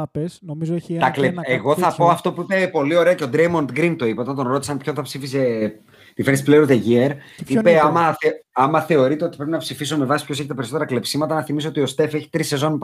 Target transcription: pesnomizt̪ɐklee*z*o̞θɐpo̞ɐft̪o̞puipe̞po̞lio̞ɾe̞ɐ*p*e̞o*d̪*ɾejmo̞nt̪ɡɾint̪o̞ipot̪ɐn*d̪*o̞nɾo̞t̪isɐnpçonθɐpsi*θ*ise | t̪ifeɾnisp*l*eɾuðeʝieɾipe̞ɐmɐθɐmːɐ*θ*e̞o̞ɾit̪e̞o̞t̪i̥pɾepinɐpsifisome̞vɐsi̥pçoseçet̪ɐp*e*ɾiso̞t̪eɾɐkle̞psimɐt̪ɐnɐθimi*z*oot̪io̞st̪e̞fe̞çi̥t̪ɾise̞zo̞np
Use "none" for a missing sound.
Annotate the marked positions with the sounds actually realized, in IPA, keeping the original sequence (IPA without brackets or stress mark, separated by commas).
ɣ, c, d̪, t̪, f, l, θ, e, s